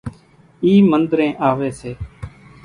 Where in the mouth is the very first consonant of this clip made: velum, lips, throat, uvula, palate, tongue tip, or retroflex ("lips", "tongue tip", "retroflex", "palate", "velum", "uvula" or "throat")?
lips